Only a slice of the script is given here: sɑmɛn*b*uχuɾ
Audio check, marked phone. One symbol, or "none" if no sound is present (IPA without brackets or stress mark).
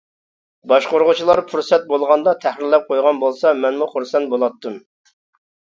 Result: m